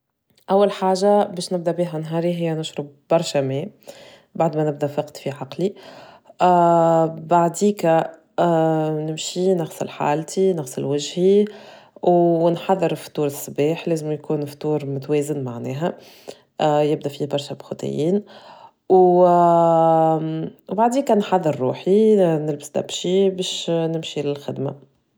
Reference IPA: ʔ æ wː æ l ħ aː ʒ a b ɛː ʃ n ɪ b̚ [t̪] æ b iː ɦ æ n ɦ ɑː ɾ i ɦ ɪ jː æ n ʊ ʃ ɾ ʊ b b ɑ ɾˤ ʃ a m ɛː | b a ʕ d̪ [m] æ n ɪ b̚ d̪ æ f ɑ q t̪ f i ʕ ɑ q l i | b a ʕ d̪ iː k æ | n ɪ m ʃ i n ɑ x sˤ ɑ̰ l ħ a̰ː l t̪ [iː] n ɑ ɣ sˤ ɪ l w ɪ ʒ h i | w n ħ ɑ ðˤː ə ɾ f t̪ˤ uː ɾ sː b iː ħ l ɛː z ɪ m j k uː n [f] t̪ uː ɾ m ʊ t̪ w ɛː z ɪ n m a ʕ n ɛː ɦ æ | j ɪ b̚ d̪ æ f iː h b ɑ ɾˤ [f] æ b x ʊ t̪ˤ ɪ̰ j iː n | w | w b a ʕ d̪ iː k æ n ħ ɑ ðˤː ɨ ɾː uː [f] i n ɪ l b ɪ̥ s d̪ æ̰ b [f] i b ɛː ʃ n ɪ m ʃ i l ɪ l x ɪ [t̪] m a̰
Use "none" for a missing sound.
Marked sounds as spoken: d̪, m, i, f, ʃ, ħ, ʃ, d̪

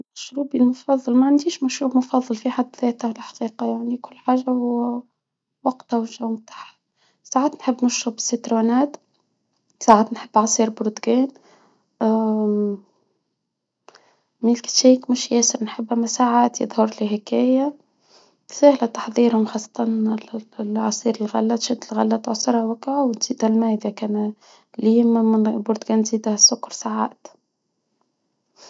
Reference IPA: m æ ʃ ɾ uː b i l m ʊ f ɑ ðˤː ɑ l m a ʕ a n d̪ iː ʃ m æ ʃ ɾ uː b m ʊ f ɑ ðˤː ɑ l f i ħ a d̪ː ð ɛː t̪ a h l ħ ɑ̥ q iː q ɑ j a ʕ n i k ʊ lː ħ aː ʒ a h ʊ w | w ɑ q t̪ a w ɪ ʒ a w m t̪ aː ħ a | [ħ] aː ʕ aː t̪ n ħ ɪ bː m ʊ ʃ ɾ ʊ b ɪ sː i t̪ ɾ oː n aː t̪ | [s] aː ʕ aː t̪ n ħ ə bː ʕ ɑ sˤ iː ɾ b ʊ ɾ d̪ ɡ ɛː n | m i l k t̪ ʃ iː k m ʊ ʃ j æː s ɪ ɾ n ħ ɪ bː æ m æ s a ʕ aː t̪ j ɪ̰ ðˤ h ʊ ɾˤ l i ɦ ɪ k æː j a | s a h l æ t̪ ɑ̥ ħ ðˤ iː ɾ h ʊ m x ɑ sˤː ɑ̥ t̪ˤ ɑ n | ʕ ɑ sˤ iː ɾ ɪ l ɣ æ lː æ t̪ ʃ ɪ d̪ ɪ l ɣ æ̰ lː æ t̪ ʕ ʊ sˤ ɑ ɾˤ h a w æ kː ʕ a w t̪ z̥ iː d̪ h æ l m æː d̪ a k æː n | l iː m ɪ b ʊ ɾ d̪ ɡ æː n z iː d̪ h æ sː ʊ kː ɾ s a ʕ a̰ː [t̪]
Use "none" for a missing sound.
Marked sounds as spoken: s, s, t̪

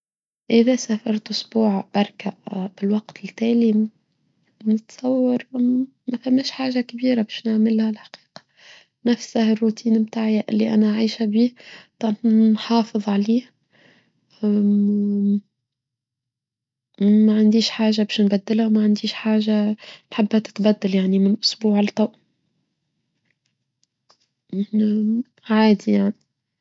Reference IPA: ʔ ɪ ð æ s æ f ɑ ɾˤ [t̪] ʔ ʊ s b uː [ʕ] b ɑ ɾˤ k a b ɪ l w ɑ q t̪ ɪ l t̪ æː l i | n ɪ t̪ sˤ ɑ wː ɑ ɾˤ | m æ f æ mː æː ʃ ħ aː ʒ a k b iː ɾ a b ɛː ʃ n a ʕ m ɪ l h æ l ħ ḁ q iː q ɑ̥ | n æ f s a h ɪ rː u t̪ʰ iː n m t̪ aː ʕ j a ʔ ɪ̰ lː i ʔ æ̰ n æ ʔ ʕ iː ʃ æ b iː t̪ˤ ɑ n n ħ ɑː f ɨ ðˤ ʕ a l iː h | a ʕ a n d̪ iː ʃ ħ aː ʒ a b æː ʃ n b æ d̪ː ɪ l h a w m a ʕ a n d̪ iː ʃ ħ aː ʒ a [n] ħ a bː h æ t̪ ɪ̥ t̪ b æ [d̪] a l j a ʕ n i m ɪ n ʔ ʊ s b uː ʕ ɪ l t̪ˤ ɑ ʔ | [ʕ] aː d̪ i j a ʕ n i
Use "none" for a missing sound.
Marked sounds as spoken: t̪, ʕ, n, d̪ː, ʕ

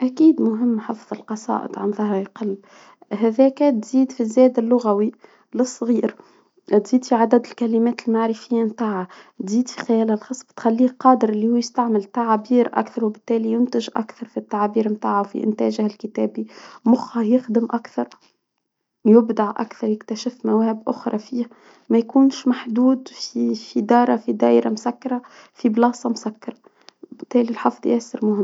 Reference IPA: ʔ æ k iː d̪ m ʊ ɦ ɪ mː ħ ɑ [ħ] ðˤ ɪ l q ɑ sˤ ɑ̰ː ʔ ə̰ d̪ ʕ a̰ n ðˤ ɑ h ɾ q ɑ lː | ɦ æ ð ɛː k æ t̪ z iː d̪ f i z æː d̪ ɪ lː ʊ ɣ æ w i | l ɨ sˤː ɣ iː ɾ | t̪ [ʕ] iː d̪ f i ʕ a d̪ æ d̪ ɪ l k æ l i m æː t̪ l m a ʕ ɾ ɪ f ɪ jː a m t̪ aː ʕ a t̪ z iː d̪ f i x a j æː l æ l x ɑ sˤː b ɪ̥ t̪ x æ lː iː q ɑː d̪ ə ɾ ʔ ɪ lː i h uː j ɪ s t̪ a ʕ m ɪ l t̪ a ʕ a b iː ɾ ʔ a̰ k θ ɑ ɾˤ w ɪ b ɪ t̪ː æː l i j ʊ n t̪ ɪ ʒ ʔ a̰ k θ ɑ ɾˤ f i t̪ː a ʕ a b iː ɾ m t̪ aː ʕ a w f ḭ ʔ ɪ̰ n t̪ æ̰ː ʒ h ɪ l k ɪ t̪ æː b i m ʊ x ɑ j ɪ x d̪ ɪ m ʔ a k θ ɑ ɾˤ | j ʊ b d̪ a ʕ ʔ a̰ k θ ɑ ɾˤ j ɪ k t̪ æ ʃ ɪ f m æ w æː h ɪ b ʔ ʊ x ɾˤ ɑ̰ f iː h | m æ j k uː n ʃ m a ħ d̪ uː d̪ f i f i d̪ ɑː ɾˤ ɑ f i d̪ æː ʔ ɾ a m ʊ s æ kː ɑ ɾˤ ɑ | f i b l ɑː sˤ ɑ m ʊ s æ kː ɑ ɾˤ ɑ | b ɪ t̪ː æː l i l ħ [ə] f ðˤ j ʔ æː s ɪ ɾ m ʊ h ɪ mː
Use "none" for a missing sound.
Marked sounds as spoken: f, z, ɑ

